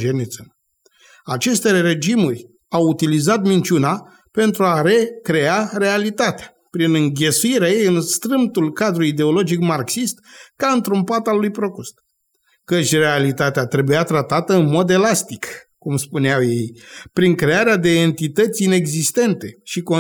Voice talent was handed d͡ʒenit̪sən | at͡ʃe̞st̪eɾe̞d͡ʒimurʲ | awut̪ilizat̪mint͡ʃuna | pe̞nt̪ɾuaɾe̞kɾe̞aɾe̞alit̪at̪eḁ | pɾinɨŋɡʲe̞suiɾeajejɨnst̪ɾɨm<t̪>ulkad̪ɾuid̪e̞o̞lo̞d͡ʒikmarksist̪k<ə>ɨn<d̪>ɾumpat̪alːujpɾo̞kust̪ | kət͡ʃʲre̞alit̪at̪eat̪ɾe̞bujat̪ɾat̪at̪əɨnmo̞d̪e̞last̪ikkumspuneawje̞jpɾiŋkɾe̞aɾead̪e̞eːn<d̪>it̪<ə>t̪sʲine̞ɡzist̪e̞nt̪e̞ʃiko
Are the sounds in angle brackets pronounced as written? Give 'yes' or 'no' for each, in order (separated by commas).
yes, no, no, no, yes